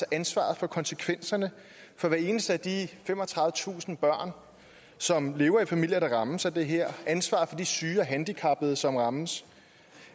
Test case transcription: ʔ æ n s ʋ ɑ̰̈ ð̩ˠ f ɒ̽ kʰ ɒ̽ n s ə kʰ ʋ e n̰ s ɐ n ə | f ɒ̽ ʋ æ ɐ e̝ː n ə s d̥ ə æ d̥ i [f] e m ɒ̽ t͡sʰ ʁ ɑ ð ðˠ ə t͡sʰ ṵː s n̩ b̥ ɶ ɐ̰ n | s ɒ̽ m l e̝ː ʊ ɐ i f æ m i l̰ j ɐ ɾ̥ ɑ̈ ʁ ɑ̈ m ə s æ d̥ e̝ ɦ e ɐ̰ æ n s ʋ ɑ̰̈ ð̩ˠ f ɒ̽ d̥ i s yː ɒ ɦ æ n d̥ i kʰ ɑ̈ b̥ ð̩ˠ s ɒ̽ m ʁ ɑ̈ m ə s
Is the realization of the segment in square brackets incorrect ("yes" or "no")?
no